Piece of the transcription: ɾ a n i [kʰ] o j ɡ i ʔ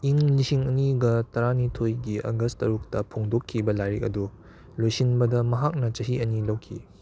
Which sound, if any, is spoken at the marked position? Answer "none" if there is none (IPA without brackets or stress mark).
tʰ